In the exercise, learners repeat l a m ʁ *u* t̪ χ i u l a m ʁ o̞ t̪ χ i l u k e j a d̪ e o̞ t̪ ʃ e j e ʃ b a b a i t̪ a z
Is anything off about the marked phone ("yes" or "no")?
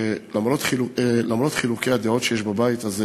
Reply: yes